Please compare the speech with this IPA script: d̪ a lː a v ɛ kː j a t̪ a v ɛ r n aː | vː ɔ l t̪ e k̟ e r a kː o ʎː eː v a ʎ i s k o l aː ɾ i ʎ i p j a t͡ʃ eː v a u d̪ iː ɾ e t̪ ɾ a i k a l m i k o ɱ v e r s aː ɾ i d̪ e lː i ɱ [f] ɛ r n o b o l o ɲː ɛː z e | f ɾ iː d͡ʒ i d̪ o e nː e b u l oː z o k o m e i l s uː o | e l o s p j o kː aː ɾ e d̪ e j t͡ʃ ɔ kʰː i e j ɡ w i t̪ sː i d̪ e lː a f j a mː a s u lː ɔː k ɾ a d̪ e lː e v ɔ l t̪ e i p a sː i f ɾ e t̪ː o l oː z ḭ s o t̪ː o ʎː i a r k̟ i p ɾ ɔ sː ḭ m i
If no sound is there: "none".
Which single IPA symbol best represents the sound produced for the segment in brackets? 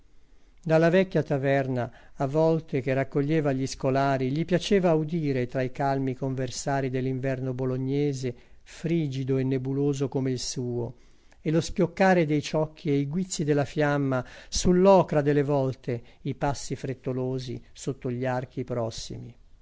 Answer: v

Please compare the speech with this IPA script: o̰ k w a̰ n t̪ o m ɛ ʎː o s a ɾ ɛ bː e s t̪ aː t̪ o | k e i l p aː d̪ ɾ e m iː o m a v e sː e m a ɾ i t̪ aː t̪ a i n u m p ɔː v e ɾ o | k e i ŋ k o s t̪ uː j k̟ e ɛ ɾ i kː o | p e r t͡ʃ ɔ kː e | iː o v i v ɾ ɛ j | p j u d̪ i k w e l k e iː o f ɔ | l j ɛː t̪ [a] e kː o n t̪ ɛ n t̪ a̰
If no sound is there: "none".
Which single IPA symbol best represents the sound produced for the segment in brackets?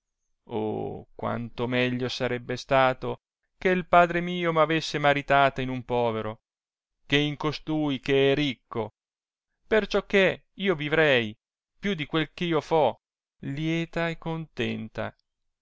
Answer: a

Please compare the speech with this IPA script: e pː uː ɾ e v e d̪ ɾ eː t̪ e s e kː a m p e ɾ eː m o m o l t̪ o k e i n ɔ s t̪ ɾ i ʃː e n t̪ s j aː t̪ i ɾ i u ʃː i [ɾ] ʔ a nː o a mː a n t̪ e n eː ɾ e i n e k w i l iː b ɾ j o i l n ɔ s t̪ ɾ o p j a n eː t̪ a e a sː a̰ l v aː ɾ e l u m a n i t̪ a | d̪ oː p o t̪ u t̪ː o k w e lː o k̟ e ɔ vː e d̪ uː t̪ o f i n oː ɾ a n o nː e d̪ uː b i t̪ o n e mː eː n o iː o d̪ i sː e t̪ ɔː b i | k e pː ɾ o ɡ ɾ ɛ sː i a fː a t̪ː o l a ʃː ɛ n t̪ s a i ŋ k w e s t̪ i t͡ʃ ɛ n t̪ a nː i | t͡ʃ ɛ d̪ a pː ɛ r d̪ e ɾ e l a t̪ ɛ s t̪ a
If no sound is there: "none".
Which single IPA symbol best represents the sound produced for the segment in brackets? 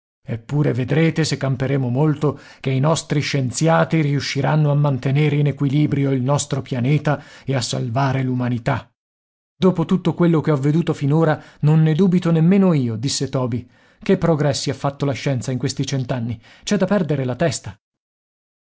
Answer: ɾ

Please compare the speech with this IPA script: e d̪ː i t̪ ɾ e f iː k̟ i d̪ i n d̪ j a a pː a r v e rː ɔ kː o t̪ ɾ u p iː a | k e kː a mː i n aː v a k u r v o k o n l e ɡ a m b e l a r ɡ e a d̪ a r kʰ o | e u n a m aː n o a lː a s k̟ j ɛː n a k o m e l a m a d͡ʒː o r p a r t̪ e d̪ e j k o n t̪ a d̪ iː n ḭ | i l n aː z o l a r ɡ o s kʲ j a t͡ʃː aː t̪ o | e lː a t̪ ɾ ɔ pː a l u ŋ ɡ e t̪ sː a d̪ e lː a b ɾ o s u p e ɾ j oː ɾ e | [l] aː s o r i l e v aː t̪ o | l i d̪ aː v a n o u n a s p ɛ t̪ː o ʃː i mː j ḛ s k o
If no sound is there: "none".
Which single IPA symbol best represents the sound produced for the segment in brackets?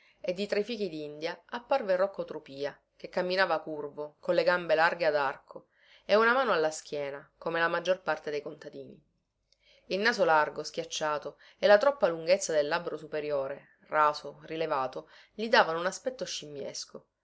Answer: r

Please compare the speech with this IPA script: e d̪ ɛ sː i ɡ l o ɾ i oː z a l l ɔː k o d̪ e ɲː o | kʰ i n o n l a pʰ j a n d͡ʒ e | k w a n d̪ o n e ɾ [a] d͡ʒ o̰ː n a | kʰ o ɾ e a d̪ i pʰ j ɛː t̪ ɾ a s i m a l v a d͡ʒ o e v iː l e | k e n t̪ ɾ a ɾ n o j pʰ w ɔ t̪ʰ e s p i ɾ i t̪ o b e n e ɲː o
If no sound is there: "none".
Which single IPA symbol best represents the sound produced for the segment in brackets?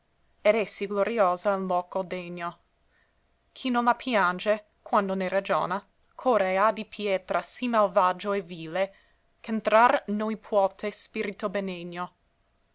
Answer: a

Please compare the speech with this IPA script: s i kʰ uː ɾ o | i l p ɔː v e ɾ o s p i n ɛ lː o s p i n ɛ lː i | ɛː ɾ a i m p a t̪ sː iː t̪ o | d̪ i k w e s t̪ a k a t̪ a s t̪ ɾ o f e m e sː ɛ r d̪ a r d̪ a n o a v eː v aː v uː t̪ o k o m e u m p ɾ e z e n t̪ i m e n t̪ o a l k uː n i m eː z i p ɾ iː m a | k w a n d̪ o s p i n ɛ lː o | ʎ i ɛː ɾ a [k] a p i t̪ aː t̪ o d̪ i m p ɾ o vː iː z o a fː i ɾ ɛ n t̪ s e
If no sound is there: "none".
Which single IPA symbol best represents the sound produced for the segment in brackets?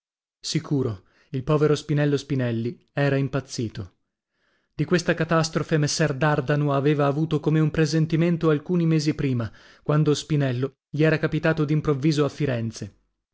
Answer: k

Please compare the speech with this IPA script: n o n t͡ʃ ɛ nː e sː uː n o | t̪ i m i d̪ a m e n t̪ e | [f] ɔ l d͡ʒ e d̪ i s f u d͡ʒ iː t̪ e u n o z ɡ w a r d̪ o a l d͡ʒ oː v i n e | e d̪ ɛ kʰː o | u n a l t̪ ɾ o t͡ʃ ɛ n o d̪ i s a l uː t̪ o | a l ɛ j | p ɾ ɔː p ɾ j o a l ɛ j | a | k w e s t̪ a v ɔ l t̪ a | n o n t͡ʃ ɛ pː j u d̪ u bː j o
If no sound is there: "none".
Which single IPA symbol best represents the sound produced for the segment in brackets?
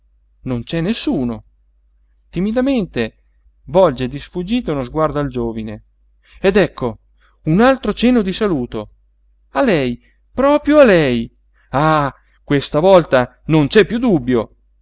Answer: v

